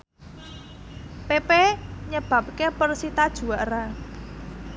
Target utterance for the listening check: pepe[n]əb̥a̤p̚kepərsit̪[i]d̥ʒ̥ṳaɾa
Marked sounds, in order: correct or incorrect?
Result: incorrect: ɲ, incorrect: a

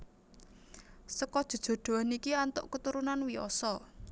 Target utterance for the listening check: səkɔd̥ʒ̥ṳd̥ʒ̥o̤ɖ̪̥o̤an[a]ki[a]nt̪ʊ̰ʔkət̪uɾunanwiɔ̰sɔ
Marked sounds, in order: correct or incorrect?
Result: incorrect: i, correct

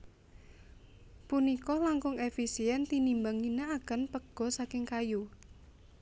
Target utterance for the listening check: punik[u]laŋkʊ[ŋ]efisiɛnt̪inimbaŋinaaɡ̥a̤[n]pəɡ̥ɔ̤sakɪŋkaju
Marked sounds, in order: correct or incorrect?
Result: incorrect: ɔ, correct, correct

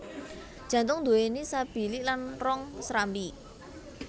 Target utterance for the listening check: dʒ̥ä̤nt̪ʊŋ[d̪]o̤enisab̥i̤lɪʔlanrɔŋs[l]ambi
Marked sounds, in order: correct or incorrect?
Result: correct, incorrect: ɾ

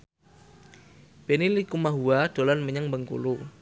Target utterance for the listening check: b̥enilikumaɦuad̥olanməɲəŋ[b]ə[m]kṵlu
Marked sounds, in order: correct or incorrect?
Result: correct, incorrect: ŋ

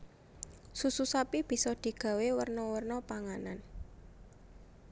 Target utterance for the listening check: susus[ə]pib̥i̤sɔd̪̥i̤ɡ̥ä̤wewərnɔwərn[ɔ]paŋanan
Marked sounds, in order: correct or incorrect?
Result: incorrect: a, correct

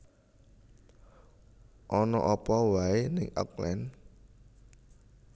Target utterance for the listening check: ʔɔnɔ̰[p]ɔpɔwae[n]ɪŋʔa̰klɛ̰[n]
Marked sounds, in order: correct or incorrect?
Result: incorrect: ʔ, correct, correct

